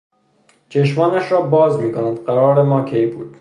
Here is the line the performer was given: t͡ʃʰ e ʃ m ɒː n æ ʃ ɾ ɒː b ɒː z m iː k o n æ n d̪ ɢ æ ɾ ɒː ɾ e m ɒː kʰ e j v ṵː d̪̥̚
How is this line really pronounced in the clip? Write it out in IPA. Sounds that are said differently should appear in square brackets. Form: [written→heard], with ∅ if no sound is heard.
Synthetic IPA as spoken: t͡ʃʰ e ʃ m ɒː n æ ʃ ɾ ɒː b ɒː z m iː k o n æ n d̪ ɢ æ ɾ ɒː ɾ e m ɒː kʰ e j [v→b] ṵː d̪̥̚